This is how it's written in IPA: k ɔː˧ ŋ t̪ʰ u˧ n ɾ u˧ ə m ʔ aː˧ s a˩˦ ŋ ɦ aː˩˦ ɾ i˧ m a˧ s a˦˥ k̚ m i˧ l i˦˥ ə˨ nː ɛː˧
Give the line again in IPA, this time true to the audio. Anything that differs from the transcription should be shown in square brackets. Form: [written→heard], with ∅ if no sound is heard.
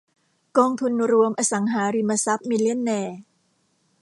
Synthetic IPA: k ɔː˧ ŋ t̪ʰ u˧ n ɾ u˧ ə m ʔ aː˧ s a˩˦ ŋ ɦ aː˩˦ ɾ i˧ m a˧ s a˦˥ [k̚→p̚] m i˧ l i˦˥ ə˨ nː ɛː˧